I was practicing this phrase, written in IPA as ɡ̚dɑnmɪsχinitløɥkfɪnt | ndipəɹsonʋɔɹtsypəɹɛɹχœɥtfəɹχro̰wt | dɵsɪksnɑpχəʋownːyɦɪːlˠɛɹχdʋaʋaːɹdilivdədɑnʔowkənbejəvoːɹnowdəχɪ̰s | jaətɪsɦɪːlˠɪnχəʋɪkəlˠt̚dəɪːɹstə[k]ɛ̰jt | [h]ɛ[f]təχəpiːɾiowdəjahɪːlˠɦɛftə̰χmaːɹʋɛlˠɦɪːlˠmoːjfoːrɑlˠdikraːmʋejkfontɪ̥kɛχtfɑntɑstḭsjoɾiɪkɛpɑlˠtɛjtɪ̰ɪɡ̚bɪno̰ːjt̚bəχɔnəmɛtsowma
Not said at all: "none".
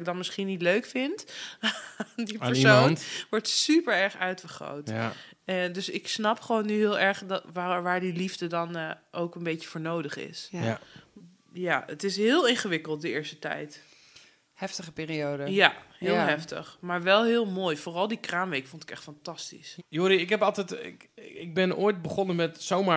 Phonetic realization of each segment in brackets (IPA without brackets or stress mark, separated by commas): t, h, f